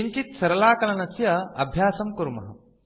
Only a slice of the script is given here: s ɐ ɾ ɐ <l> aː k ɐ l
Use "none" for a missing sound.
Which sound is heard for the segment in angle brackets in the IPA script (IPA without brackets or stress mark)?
l